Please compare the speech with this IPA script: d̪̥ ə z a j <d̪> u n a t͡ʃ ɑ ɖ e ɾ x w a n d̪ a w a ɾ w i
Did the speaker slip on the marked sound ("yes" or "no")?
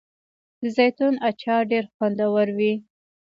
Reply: yes